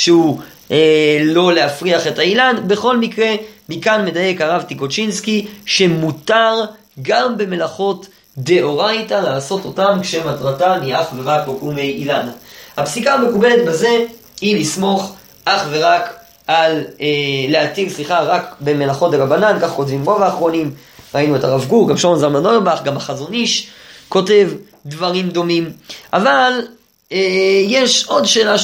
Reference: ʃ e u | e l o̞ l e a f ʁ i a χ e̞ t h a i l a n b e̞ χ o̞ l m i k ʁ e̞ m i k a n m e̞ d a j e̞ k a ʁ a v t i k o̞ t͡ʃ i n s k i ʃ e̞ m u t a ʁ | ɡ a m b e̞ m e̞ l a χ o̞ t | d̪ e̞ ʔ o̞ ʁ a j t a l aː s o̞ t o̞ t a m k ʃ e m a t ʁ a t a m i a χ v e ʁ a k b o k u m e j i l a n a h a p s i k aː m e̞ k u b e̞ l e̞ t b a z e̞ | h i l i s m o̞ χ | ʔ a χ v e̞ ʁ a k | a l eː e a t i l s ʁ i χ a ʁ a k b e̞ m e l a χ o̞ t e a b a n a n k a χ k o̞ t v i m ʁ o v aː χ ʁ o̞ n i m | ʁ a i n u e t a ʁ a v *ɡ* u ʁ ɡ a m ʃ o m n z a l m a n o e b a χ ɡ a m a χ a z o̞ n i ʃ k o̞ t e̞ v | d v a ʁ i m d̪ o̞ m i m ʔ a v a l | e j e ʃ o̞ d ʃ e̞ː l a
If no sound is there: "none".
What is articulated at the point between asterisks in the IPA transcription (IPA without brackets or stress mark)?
ɡ